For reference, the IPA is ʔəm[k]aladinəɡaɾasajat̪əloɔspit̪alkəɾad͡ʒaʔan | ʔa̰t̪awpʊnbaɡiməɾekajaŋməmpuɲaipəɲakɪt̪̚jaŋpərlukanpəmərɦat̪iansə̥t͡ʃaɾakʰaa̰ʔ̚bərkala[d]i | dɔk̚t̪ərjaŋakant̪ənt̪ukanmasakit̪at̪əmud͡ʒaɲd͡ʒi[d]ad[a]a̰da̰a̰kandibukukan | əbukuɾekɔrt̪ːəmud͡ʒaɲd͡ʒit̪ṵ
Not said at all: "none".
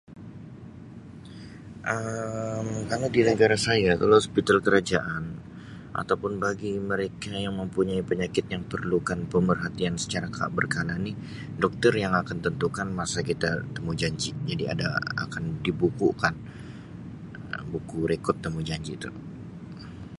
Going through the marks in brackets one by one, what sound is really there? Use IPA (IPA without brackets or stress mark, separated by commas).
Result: k, n, d͡ʒ, i